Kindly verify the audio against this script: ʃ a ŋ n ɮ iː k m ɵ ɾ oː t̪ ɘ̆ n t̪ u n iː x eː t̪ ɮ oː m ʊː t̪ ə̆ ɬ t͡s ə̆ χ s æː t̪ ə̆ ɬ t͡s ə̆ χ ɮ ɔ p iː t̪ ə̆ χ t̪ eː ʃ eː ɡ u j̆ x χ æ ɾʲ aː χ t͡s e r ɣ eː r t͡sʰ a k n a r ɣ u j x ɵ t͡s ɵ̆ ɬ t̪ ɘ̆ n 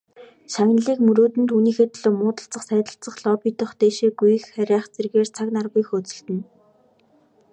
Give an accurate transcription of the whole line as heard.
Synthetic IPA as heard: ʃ a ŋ n ɮ iː k m ɵ ɾ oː t̪ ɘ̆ n t̪ u n iː x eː t̪ ɮ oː m ʊː t̪ ə̆ ɬ t͡s ə̆ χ s æː t̪ ə̆ ɬ t͡s ə̆ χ ɮ ɔ p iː t̪ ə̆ χ t̪ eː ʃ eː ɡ u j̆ x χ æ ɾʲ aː χ t͡s e r ɣ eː r t͡sʰ a k n a r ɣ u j x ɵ t͡s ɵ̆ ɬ t̪ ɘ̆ n